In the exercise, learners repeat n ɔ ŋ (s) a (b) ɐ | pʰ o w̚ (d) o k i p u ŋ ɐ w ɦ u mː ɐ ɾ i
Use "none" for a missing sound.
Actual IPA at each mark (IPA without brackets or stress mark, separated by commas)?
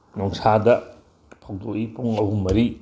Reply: s, d, d